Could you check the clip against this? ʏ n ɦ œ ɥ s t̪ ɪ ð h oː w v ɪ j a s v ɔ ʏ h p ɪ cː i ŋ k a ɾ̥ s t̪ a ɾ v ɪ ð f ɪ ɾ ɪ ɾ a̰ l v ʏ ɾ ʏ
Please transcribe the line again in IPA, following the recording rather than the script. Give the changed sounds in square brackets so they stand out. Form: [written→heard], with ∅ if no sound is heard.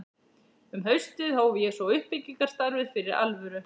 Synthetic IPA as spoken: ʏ [n→m] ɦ œ ɥ s t̪ ɪ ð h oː w v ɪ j [a→ɛ] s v ɔ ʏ h p ɪ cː i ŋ k a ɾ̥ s t̪ a ɾ v ɪ ð f ɪ ɾ ɪ ɾ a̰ l v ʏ ɾ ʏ